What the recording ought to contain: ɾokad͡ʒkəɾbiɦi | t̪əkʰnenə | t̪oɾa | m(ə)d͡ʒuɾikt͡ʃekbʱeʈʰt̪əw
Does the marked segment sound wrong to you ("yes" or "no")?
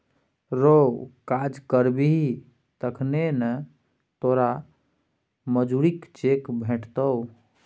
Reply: no